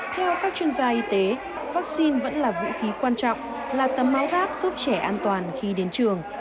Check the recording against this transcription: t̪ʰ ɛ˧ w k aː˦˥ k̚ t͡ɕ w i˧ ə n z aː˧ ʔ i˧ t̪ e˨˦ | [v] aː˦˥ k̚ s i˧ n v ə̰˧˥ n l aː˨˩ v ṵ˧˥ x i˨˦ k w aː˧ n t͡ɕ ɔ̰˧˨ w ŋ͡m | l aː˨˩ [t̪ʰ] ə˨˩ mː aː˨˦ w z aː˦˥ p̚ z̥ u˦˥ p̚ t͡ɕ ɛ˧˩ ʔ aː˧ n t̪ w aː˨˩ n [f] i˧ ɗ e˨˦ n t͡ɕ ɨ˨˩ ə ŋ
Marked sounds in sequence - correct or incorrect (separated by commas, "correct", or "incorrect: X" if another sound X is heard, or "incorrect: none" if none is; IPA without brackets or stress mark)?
correct, incorrect: t̪, incorrect: x